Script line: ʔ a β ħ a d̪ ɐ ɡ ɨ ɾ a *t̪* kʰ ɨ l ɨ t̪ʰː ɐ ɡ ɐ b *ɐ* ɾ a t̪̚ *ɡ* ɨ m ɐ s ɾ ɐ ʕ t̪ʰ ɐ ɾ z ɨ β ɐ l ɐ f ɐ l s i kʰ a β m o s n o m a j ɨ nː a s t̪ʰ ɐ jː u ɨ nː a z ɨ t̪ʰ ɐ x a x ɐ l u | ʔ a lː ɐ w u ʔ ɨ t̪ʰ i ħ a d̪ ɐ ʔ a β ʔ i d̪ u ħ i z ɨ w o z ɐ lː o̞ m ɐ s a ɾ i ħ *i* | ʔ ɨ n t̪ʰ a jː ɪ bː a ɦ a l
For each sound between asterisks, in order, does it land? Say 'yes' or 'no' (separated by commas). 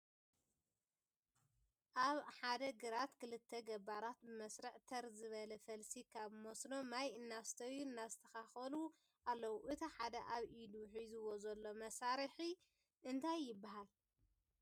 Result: yes, no, no, yes